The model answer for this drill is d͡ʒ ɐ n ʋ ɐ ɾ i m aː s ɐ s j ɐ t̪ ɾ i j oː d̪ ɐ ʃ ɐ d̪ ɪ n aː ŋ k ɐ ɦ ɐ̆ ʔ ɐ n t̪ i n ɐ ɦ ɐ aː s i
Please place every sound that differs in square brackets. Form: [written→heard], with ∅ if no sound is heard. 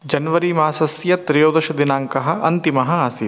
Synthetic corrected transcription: d͡ʒ ɐ n ʋ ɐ ɾ i m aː s ɐ s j ɐ t̪ ɾ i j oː d̪ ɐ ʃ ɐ d̪ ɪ n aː ŋ k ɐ ɦ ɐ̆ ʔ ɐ n t̪ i [n→m] ɐ ɦ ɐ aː s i